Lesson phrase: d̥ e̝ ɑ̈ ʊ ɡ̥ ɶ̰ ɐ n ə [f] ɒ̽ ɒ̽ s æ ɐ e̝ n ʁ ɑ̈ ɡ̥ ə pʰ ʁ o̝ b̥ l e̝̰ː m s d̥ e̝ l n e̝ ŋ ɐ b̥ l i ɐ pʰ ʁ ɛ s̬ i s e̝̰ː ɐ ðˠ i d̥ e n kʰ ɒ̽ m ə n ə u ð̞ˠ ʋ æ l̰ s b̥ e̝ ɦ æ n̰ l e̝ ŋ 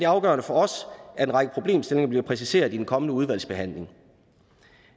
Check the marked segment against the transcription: correct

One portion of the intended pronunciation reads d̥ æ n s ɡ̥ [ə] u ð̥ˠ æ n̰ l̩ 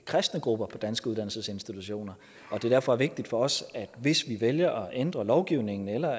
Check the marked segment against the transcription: correct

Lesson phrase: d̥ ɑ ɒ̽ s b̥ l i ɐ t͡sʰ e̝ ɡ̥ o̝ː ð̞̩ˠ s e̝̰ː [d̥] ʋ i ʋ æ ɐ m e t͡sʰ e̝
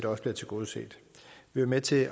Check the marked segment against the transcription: correct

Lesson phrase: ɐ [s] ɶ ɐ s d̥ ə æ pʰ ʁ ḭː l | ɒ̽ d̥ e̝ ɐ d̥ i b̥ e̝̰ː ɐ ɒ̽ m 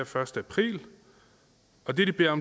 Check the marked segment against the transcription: incorrect: f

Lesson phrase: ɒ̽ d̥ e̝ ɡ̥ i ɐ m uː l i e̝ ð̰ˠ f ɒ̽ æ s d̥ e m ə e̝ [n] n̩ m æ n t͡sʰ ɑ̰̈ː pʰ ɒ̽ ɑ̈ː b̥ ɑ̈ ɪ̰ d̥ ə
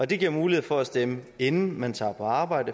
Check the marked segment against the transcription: correct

